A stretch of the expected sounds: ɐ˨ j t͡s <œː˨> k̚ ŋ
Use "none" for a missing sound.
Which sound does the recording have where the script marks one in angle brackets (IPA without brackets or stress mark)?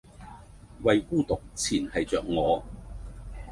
œː˨